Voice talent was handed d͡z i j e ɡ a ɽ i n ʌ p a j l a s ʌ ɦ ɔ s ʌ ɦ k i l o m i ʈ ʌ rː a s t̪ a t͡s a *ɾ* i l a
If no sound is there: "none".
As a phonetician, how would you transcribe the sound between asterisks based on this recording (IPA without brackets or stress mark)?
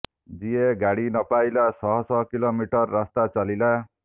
l